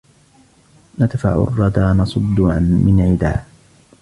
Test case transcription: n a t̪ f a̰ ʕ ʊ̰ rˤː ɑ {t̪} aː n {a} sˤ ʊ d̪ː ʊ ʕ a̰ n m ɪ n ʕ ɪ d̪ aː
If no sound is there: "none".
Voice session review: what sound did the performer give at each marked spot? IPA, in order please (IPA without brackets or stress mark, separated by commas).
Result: d̪, ɑ